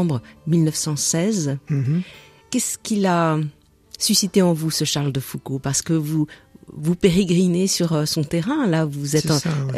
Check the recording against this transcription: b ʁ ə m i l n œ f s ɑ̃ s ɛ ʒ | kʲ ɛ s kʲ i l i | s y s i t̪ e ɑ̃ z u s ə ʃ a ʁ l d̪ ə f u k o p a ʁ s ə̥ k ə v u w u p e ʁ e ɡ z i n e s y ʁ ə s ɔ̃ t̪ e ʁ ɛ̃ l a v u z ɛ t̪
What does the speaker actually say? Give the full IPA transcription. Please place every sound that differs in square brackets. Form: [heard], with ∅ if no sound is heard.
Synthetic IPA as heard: b ʁ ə m i l n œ f s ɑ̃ s ɛ [z] | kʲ ɛ s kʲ i l [a] | s y s i t̪ e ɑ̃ [v] u s ə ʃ a ʁ l d̪ ə f u k o p a ʁ s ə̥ k ə v u [v] u p e ʁ e ɡ [ʁ] i n e s y ʁ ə s ɔ̃ t̪ e ʁ ɛ̃ l a v u z ɛ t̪